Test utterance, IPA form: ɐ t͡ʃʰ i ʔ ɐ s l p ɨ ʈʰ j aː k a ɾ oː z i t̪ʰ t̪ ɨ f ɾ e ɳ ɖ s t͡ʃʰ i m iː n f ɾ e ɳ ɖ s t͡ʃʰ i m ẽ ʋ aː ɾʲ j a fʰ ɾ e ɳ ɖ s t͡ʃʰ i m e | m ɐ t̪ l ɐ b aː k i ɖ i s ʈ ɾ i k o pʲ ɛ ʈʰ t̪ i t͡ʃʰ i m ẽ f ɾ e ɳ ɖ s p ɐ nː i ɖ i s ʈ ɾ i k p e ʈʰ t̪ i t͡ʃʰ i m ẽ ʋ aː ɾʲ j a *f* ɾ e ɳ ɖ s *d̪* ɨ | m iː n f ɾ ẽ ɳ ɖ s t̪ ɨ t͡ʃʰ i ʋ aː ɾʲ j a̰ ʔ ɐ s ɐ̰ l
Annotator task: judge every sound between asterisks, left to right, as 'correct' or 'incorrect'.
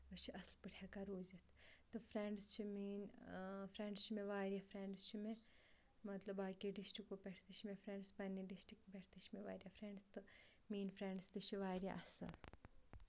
correct, incorrect

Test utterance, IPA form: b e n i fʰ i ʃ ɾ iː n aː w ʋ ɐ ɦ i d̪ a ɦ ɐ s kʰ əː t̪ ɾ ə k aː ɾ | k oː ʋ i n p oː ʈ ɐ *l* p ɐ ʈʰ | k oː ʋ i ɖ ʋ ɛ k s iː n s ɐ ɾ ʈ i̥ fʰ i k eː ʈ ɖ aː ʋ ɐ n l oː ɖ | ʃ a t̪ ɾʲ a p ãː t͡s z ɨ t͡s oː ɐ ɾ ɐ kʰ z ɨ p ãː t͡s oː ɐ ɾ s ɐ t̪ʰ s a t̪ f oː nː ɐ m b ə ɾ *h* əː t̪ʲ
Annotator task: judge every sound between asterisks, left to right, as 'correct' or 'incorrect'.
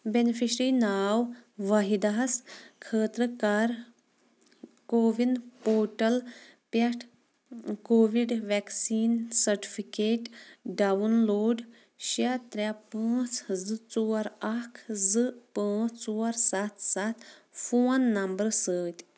correct, incorrect

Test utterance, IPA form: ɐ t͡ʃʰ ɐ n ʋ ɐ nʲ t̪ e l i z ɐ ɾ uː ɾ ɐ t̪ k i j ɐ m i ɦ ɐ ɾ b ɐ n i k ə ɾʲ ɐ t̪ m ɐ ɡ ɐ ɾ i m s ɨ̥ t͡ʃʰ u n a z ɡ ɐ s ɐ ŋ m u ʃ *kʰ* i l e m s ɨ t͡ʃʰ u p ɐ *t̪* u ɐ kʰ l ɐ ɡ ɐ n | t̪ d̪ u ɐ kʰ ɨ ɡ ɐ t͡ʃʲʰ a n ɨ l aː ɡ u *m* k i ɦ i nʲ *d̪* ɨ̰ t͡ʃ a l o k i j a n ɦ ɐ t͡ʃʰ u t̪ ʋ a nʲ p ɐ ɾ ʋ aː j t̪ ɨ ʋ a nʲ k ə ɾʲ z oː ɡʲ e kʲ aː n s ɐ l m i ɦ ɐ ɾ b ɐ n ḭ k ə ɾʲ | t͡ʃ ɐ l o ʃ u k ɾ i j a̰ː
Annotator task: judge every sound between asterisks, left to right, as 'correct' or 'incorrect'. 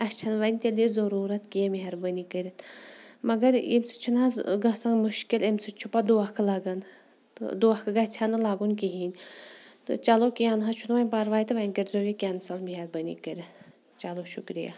incorrect, incorrect, incorrect, incorrect

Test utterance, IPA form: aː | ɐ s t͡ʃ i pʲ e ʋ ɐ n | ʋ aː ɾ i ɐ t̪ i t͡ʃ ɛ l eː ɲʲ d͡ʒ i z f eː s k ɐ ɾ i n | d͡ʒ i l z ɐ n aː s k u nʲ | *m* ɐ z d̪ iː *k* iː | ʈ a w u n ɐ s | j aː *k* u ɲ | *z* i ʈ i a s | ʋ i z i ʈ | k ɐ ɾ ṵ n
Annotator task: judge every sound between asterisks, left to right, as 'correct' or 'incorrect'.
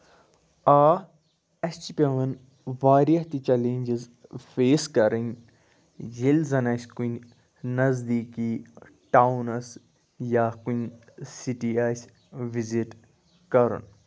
incorrect, correct, correct, incorrect

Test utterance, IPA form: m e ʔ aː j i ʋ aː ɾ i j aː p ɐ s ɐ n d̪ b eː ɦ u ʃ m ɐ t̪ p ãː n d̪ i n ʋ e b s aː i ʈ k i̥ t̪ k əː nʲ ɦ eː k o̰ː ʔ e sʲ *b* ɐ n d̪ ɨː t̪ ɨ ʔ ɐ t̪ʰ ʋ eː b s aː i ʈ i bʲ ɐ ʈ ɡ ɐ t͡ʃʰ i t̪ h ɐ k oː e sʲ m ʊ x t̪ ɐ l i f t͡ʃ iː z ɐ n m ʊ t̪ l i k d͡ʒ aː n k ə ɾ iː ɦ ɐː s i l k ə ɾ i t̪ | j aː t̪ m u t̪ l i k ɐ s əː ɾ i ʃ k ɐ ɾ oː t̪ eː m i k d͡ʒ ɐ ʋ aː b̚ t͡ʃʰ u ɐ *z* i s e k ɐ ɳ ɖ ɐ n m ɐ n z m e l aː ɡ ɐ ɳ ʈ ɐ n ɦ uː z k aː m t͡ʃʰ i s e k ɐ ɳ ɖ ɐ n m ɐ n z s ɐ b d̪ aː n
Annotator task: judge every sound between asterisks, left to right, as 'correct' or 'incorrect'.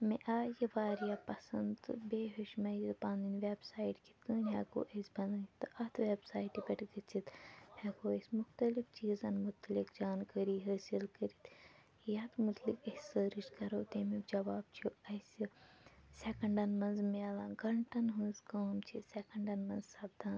correct, incorrect

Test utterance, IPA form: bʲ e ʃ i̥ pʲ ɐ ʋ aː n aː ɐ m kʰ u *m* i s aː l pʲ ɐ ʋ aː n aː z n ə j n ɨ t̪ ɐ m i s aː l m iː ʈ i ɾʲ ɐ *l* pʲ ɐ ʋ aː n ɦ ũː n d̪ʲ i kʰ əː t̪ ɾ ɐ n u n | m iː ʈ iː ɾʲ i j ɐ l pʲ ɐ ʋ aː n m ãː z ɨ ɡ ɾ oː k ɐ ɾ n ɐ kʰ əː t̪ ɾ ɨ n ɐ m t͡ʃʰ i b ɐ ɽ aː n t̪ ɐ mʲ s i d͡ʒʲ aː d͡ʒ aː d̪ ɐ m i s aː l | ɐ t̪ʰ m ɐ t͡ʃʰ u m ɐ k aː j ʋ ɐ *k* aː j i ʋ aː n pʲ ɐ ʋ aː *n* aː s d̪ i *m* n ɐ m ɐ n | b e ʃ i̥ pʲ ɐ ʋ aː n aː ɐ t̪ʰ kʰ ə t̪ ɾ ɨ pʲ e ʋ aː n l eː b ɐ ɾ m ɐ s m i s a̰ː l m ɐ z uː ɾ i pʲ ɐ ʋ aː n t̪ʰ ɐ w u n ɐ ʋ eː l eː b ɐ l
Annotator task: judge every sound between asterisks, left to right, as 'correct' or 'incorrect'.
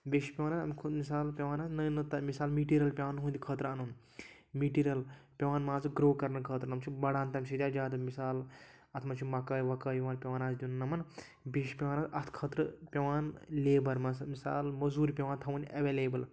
correct, correct, correct, correct, incorrect

